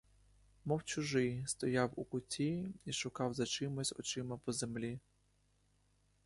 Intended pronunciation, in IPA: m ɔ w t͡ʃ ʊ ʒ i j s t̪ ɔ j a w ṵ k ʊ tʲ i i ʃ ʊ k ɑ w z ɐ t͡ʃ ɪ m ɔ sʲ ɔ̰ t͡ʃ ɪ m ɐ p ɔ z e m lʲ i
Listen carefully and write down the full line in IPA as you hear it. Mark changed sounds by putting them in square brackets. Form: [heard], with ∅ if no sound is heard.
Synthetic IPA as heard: m ɔ w t͡ʃ ʊ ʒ [ɪ] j s t̪ ɔ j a w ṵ k ʊ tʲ i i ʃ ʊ k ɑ w z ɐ t͡ʃ ɪ m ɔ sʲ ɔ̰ t͡ʃ ɪ m ɐ p ɔ z e m lʲ i